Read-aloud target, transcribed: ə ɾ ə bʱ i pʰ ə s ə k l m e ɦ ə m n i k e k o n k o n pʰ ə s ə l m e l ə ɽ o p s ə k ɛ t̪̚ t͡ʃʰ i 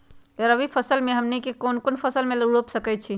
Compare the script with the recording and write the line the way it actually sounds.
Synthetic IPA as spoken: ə ɾ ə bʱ i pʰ ə s ə l m e ɦ ə m n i k e k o n k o n pʰ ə s ə l m e l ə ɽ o p s ə k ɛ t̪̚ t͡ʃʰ i